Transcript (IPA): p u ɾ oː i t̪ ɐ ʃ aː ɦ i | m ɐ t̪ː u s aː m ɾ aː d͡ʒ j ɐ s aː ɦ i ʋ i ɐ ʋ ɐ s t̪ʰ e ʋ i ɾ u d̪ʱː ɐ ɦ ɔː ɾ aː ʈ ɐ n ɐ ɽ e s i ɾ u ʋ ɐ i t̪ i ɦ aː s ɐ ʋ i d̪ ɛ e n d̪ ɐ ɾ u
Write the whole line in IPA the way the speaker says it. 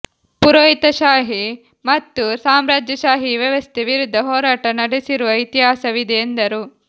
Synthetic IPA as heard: p u ɾ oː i t̪ ɐ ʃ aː ɦ i | m ɐ t̪ː u s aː m ɾ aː d͡ʒ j ɐ ʃ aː ɦ i ʋ j ɐ ʋ ɐ s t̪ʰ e ʋ i ɾ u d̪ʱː ɐ ɦ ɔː ɾ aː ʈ ɐ n ɐ ɽ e s i ɾ u ʋ ɐ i t̪ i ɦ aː s ɐ ʋ i d̪ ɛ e n d̪ ɐ ɾ u

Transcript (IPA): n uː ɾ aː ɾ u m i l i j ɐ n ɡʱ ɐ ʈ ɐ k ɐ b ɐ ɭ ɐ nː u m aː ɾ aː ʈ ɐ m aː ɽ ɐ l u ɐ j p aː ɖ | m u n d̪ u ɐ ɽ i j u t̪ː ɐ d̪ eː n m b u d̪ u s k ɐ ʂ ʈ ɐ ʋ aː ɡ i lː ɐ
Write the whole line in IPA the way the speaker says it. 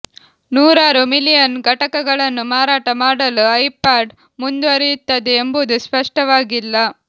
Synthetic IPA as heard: n uː ɾ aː ɾ u m i l i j ɐ n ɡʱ ɐ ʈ ɐ k ɐ ɡ ɐ ɭ ɐ nː u m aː ɾ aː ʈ ɐ m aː ɽ ɐ l u ɐ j p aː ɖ | m u n d̪ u ɐ ɾ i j u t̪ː ɐ d̪ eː m b u d̪ u s p ɐ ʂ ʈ ɐ ʋ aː ɡ i lː ɐ

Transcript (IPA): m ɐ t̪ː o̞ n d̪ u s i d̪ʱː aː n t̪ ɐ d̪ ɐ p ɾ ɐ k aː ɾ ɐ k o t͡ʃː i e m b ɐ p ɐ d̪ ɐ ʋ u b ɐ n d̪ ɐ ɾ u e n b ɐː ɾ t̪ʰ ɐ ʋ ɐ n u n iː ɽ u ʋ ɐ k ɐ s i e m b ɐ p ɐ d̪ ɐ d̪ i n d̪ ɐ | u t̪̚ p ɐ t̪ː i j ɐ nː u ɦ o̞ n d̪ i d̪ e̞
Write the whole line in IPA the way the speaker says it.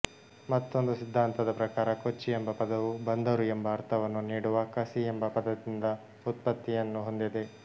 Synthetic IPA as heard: m ɐ t̪ː o̞ n d̪ u s i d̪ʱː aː n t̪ ɐ d̪ ɐ p ɾ ɐ k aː ɾ ɐ k o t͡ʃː i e m b ɐ p ɐ d̪ ɐ ʋ u b ɐ n d̪ ɐ ɾ u e m b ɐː ɾ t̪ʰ ɐ ʋ ɐ nː u n iː ɽ u ʋ ɐ k ɐ s i e m b ɐ p ɐ d̪ ɐ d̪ i n d̪ ɐ | u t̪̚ p ɐ t̪ː i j ɐ nː u ɦ o̞ n d̪ i d̪ e̞

